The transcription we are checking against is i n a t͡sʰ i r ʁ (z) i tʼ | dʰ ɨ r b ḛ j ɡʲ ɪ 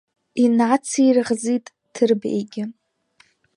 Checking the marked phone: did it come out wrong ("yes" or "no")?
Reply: no